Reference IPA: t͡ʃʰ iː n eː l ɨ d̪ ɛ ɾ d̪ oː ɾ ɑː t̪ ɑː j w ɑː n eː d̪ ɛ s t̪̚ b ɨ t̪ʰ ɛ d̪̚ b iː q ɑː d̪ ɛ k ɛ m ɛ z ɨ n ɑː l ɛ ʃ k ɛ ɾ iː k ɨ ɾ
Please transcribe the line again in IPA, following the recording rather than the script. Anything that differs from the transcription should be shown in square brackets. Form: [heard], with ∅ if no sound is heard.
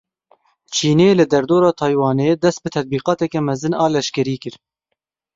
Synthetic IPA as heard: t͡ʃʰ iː n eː l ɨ d̪ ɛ ɾ d̪ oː ɾ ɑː [t̪ʰ] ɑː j w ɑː n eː d̪ ɛ s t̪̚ b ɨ t̪ʰ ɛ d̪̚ b iː q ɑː [t̪] ɛ k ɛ m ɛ z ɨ n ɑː l ɛ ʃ k ɛ ɾ iː k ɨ ɾ